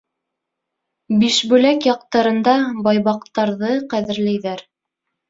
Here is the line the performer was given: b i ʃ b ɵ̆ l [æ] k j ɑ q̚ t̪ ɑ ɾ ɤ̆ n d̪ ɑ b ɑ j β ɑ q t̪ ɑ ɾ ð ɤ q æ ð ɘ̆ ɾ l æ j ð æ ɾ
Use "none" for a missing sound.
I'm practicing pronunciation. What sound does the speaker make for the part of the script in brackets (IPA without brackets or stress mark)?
æ